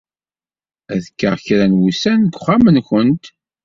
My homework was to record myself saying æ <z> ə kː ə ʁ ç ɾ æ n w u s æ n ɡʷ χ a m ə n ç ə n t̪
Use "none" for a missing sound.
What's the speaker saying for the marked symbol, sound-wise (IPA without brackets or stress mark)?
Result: ð